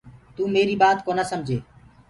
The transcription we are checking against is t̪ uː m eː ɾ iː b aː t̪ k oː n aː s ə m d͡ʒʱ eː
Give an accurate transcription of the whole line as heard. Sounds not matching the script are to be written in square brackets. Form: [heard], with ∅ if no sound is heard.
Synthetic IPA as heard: t̪ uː m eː ɾ iː b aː t̪ k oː n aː s ə m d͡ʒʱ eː